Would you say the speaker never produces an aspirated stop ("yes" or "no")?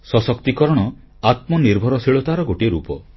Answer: yes